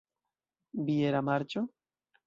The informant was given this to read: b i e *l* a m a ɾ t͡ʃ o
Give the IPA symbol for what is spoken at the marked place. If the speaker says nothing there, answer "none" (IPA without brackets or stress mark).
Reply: ɾ